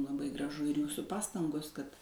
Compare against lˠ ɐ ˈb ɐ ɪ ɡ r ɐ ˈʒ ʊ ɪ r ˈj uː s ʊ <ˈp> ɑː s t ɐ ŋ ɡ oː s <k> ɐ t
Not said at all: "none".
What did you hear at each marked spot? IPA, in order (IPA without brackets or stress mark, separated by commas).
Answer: p, k